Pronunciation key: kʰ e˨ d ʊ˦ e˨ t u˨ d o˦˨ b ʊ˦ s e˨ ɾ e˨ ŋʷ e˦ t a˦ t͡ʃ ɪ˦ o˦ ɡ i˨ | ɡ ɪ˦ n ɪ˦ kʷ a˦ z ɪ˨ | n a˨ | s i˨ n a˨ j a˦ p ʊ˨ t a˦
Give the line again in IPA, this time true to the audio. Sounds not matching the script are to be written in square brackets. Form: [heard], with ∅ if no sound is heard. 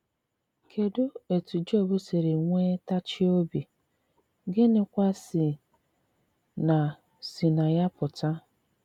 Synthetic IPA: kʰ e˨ d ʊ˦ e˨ t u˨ [d͡ʒ] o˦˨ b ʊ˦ s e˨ ɾ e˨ ŋʷ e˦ t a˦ t͡ʃ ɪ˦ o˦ [b] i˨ | ɡ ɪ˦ n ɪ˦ kʷ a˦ [s] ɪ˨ | n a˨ | s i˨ n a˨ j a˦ p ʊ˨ t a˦